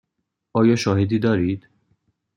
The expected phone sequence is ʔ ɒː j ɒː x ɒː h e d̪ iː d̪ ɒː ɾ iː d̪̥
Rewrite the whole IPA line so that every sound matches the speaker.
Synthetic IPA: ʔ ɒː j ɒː ʃ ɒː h e d̪ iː d̪ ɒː ɾ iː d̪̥